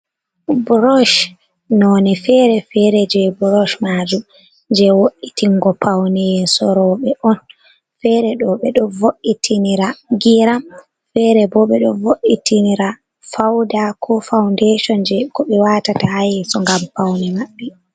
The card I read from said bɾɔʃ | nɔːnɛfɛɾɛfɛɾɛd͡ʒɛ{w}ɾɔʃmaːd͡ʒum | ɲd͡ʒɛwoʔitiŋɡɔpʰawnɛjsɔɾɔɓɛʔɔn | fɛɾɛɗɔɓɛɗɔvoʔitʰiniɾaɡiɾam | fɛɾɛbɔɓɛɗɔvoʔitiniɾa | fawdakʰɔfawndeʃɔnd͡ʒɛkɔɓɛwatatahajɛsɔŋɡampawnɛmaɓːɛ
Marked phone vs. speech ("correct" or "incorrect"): incorrect